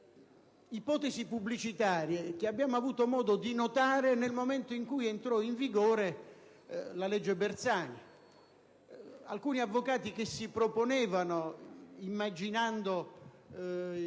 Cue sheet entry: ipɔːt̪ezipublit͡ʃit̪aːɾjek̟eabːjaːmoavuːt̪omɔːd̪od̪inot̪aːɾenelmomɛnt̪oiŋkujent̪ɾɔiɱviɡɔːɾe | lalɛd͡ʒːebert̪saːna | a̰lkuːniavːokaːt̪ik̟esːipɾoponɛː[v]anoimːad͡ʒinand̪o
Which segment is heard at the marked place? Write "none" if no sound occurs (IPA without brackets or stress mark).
v